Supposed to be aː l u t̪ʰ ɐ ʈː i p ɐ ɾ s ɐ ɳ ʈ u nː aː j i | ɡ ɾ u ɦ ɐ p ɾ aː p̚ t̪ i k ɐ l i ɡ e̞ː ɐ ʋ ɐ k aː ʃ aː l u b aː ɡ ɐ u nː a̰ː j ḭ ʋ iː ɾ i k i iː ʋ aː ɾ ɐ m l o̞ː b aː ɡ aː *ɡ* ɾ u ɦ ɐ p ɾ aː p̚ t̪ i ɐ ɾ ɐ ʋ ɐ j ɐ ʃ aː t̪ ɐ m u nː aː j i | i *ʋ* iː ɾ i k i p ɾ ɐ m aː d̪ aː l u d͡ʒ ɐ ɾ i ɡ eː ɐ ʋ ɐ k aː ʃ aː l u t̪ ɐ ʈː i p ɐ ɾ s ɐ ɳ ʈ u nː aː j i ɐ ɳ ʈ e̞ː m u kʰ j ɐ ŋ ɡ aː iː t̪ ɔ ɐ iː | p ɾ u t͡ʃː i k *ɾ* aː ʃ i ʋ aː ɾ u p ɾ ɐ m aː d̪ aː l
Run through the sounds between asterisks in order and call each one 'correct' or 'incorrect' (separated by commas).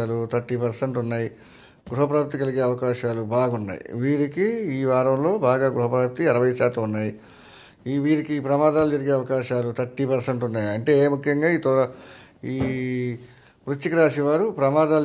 correct, correct, correct